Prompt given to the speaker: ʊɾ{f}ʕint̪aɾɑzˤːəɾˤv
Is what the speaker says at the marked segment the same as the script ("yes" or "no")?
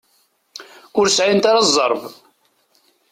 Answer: no